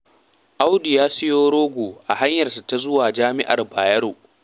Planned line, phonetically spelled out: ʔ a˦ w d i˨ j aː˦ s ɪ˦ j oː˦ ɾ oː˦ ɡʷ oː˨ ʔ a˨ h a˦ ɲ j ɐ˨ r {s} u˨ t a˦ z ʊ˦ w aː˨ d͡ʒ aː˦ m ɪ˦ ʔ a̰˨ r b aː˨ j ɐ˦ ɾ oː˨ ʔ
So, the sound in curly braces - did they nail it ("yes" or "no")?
yes